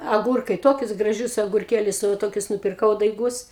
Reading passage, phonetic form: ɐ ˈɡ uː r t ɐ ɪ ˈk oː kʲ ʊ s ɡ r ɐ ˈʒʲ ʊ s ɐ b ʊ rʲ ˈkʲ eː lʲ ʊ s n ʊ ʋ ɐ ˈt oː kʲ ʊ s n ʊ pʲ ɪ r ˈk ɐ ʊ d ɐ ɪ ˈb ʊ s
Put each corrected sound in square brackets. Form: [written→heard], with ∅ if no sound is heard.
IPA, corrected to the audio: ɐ ˈɡ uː r [t→k] ɐ ɪ [ˈk→ˈt] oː kʲ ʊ s ɡ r ɐ ˈʒʲ ʊ s ɐ [b→ɡ] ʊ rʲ ˈkʲ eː lʲ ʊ s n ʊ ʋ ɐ ˈt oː kʲ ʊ s n ʊ pʲ ɪ r ˈk ɐ ʊ d ɐ ɪ [ˈb→ˈɡ] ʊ s